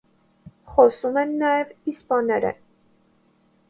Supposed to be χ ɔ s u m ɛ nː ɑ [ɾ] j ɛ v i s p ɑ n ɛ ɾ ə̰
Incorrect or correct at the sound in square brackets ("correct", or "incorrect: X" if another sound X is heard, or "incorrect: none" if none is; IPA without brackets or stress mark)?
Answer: incorrect: none